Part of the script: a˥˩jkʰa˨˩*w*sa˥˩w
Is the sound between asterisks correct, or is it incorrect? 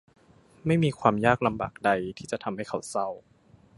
correct